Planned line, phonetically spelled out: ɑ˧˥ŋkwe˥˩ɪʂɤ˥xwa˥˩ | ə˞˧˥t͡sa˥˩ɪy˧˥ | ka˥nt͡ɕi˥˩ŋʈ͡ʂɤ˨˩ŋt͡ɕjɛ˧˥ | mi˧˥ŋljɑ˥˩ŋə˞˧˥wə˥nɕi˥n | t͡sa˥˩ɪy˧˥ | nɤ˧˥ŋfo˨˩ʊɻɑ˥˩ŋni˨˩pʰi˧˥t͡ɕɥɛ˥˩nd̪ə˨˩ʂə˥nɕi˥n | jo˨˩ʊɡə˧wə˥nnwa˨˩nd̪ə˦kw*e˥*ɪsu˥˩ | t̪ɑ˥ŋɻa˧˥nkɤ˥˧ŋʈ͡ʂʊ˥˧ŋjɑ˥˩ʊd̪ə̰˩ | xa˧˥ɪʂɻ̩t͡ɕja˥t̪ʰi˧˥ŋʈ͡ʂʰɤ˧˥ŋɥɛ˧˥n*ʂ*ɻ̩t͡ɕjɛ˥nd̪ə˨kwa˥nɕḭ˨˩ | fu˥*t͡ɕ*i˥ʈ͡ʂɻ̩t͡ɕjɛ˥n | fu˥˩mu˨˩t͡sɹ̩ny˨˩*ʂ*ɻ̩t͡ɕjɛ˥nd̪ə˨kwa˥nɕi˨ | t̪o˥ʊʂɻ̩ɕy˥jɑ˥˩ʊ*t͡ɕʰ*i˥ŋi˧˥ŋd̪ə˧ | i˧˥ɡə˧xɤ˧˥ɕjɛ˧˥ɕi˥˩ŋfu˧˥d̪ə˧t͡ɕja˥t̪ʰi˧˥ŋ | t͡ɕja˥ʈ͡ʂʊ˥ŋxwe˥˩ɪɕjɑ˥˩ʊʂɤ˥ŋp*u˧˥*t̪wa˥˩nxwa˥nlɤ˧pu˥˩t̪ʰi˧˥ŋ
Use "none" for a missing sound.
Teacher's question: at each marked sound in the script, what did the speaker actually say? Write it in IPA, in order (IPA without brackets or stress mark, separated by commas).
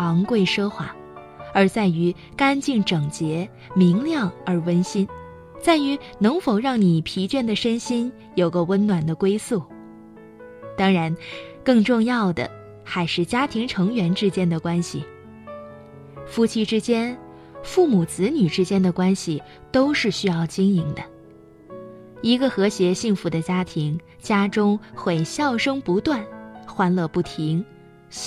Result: e˥, ʈ͡ʂ, t͡ɕʰ, ʈ͡ʂ, t͡ɕ, u˧˥